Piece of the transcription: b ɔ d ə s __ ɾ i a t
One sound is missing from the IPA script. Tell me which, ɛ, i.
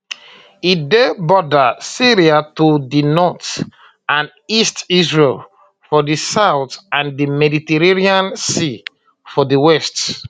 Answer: i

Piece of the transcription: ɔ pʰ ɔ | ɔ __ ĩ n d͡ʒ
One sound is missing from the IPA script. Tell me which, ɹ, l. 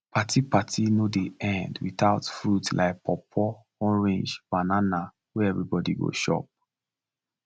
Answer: ɹ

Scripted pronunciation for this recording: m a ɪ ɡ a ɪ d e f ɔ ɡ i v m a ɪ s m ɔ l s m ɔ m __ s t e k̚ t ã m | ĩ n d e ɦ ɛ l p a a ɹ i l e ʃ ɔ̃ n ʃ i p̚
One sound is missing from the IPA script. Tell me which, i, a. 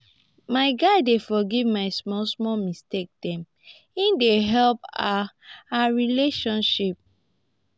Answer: i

